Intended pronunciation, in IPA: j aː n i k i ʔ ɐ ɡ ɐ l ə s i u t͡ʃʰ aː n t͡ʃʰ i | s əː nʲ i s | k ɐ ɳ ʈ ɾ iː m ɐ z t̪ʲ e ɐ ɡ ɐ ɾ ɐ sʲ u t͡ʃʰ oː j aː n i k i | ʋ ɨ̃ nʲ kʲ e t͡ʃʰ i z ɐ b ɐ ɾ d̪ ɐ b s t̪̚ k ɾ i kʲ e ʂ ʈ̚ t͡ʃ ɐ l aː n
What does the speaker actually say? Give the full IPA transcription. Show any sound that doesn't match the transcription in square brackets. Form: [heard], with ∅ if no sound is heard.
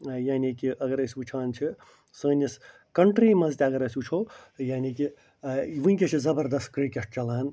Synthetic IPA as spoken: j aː n i k i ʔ ɐ ɡ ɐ [ɾ] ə s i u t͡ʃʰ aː n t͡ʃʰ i | s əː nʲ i s | k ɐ ɳ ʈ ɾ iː m ɐ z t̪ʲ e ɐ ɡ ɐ ɾ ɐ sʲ u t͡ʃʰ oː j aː n i k i | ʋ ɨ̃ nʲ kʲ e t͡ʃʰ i z ɐ b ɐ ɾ d̪ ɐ [∅] s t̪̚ k ɾ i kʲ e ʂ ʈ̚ t͡ʃ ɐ l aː n